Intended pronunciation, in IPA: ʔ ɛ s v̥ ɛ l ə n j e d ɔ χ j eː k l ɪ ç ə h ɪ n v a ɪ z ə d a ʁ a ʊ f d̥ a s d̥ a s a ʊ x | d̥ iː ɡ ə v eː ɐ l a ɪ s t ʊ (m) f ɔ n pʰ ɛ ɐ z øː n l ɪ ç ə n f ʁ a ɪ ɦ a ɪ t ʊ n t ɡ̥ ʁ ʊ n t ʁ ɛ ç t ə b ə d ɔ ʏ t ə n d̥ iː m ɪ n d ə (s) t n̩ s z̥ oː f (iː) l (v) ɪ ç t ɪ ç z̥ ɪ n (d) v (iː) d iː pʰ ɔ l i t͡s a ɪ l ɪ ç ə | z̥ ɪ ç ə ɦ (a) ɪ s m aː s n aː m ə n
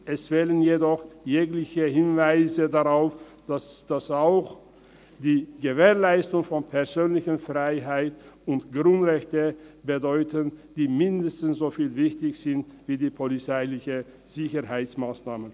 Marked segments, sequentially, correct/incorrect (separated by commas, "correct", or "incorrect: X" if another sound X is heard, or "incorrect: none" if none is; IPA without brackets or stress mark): incorrect: ŋ, correct, correct, correct, incorrect: t, correct, correct